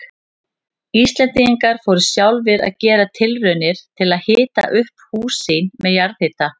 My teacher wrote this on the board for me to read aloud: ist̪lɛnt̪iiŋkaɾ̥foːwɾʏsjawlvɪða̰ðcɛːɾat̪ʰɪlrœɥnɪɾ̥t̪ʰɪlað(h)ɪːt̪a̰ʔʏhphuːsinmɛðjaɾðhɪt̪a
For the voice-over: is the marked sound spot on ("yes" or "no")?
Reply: yes